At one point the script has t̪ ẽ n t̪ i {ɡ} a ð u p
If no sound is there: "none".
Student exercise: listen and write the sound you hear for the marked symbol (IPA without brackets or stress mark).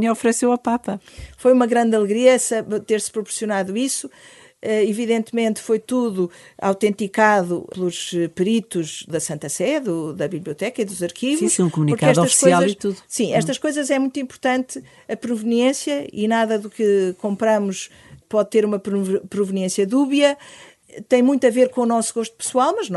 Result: k